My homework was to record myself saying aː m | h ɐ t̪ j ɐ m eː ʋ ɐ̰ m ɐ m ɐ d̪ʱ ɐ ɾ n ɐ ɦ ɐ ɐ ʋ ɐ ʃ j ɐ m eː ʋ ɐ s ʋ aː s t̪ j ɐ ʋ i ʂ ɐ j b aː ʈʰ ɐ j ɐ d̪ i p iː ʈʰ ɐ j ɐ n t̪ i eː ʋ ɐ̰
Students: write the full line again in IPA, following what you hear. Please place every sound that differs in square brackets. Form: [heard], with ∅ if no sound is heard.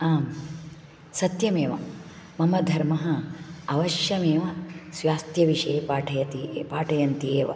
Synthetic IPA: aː m | [s] ɐ t̪ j ɐ m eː ʋ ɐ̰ m ɐ m ɐ d̪ʱ ɐ ɾ [m] ɐ ɦ ɐ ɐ ʋ ɐ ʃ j ɐ m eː ʋ ɐ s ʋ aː s t̪ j ɐ ʋ i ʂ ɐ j [p] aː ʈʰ ɐ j ɐ [t̪] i p [aː] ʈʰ ɐ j ɐ n t̪ i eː ʋ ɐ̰